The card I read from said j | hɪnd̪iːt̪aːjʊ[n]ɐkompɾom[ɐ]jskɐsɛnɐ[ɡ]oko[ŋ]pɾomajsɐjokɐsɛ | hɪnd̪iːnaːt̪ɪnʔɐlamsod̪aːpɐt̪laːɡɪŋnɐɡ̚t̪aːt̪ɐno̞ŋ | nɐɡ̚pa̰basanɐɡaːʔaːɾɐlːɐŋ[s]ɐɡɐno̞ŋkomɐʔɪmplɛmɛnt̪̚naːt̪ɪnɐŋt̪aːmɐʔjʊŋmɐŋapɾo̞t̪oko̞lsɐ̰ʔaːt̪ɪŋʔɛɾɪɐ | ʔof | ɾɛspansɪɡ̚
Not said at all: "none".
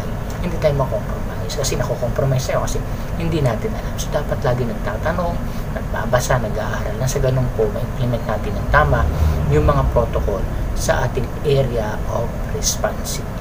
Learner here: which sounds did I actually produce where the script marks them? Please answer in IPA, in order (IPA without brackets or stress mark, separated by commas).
m, a, k, m, s